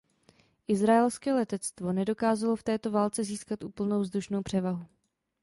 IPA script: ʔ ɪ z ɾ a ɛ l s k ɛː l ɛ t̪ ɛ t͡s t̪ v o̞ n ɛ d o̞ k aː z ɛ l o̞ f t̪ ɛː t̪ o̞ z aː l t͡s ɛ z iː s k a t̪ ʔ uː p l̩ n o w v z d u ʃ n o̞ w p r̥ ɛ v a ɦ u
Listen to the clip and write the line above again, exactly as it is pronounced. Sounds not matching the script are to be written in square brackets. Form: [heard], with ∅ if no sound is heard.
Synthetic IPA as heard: ʔ ɪ z ɾ a ɛ l s k ɛː l ɛ t̪ ɛ t͡s t̪ v o̞ n ɛ d o̞ k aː z [a] l o̞ f t̪ ɛː t̪ o̞ [v] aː l t͡s ɛ z iː s k a t̪ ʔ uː p l̩ n o w v z d u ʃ n o̞ w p r̥ ɛ v a ɦ u